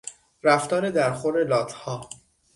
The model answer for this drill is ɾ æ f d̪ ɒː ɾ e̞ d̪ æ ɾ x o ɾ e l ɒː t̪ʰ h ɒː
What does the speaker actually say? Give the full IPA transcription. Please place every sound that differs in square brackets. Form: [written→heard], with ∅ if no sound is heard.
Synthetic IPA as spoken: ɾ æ f [d̪→t̪] ɒː ɾ e̞ d̪ æ ɾ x o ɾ e l ɒː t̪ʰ h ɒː